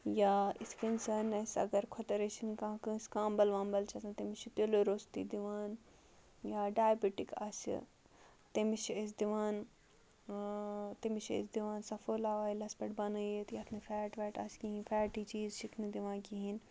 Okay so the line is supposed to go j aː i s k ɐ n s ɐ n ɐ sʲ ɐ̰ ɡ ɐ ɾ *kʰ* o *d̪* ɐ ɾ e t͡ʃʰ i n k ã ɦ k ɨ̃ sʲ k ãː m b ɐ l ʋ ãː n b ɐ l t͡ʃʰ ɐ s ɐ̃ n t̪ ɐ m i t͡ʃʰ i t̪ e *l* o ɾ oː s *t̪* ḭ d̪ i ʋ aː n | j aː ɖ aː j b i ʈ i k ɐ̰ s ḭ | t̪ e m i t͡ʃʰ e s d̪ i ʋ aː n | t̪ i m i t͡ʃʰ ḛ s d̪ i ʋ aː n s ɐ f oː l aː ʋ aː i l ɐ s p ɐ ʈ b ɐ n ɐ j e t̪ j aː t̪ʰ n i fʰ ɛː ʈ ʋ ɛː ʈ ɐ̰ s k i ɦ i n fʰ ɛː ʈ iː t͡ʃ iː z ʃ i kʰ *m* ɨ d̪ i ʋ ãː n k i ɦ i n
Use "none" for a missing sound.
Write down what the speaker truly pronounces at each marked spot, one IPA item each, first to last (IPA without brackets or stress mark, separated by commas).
kʰ, t̪, l, t̪, n